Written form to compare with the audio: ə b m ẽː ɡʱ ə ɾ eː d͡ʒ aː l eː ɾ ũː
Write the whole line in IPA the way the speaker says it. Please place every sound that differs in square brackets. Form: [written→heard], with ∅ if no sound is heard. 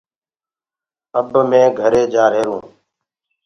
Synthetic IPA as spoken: ə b m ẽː ɡʱ ə ɾ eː d͡ʒ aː [l→ɾ] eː ɾ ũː